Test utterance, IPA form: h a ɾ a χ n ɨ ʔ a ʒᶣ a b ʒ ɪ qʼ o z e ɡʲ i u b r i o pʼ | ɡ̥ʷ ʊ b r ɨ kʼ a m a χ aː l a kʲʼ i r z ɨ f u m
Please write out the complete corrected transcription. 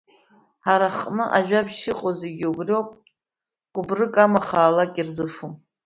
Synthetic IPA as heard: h a ɾ a χ n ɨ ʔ a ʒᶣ a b ʃ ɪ qʼ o z e ɡʲ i u b r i o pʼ | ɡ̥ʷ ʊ b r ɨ kʼ a m a χ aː l a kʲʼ i r z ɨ f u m